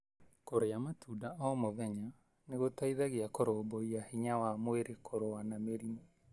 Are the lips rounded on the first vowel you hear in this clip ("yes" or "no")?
yes